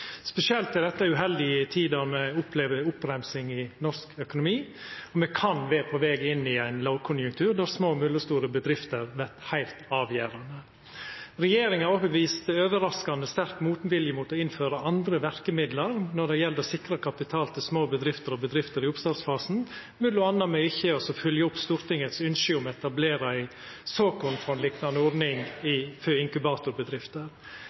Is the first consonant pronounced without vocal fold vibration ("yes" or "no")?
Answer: yes